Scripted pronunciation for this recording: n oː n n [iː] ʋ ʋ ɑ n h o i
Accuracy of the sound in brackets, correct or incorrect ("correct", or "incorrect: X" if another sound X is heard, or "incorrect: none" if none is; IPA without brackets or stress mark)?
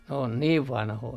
correct